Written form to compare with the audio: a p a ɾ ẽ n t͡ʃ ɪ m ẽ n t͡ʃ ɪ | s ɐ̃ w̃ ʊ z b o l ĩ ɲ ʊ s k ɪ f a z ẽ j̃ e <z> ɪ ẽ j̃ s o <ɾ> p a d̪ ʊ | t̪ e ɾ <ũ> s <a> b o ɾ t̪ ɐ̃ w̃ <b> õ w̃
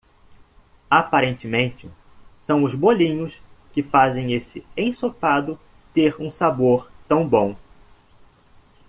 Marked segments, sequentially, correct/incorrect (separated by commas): incorrect, incorrect, correct, correct, correct